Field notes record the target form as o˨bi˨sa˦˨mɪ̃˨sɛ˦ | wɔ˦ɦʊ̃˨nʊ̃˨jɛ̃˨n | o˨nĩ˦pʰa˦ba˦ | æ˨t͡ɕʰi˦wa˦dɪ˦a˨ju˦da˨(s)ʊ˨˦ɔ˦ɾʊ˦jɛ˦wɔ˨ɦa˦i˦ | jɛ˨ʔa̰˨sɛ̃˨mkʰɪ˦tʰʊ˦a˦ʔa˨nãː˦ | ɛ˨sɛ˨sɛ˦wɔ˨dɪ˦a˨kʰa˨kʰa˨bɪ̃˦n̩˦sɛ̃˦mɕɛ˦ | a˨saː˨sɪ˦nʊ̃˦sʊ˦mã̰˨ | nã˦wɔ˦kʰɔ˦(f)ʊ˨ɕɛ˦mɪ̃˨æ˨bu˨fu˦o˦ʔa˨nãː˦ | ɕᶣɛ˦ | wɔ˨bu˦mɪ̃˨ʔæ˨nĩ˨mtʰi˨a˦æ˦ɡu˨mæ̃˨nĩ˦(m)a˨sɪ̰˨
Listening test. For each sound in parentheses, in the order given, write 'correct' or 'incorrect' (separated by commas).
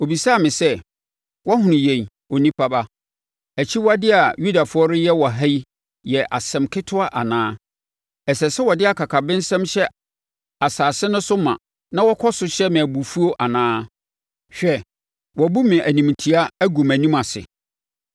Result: incorrect, incorrect, correct